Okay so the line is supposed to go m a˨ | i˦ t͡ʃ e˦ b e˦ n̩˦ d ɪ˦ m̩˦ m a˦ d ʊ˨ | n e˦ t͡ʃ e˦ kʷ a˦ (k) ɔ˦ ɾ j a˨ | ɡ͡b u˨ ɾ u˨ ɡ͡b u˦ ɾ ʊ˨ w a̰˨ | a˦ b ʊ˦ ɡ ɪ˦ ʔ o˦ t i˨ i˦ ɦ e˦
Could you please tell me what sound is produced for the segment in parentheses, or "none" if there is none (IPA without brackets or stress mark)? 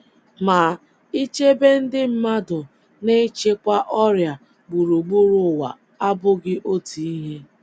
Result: ʔ